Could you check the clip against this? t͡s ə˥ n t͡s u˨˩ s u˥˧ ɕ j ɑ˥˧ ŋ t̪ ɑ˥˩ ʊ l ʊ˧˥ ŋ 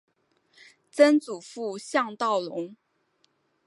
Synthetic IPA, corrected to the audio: t͡s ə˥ n t͡s u˨˩ f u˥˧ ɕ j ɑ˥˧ ŋ t̪ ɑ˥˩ ʊ l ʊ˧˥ ŋ